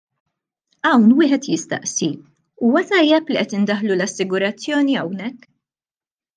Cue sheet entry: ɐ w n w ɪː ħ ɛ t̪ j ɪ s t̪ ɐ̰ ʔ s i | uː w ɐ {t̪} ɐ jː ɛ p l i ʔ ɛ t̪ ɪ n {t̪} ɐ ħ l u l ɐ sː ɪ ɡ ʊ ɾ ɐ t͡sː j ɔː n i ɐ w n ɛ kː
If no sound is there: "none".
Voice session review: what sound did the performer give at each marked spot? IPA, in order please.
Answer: t̪, d̪

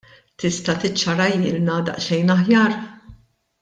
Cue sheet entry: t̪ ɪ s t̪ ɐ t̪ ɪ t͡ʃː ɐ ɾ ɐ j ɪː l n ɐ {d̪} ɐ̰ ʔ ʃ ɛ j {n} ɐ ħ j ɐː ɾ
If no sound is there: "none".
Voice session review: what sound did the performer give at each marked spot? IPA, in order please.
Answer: d̪, n

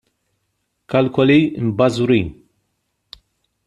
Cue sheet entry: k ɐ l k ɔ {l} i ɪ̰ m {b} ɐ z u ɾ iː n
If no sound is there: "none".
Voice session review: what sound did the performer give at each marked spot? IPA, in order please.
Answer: l, b

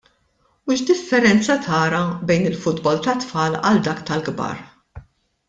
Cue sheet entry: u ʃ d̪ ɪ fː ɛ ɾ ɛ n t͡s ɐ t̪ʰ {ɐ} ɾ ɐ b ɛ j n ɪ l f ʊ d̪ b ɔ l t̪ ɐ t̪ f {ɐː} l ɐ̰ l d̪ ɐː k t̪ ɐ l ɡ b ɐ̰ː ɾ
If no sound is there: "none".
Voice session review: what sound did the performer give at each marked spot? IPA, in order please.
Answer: ɐː, ɐː

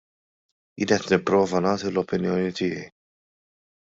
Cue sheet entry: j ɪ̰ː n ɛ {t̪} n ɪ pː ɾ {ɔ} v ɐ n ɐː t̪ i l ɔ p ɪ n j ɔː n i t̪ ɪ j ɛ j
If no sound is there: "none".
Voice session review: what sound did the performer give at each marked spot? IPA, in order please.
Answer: t̪, ɔː

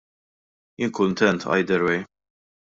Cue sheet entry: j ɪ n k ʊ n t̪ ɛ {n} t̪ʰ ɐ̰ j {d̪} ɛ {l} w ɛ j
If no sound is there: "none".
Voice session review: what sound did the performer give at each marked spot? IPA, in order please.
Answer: n, d̪, ɾ

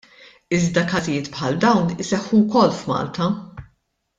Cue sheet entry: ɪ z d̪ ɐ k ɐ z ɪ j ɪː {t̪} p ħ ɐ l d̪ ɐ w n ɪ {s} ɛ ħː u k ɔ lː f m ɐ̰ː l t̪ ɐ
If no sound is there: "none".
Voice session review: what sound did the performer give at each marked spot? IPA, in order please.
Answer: t̪, s

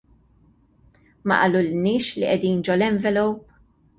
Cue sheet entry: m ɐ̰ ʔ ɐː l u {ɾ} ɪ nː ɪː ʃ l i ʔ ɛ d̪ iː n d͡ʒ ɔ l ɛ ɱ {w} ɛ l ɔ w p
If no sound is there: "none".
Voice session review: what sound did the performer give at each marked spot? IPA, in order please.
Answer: l, v

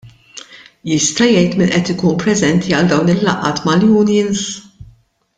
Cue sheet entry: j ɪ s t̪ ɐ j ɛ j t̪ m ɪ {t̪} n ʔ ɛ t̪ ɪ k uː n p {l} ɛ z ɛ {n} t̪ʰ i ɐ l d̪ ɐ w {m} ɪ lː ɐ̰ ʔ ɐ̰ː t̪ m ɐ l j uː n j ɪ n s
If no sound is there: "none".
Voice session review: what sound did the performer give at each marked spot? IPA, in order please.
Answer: none, ɾ, n, n

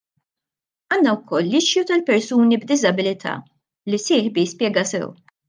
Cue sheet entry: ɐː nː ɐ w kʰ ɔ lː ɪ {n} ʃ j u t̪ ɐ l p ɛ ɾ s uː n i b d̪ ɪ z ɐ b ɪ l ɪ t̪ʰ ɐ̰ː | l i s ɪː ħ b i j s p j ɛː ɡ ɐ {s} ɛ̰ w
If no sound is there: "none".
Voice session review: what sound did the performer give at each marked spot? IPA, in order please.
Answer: none, s

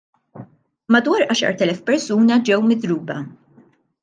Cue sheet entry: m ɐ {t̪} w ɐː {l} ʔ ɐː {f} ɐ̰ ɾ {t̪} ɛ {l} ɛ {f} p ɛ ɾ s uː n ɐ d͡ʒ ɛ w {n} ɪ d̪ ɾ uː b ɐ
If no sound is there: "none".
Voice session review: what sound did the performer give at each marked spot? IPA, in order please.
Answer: d̪, ɾ, ʃ, t̪, l, f, m

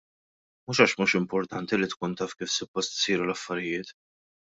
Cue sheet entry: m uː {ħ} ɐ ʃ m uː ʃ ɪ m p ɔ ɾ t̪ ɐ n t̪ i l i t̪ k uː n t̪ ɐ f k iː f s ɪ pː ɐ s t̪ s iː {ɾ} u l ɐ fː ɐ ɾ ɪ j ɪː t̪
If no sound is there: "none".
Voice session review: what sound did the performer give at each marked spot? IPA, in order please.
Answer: ʃ, ɾ

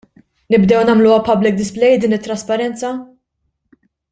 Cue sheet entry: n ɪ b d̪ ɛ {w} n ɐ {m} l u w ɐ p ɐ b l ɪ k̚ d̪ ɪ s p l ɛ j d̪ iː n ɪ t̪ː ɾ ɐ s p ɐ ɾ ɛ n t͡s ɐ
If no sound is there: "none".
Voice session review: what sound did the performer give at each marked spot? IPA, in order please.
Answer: w, m

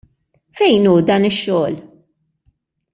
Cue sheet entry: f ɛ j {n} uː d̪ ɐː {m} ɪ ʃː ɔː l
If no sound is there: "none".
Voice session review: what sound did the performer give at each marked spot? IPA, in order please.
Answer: n, n

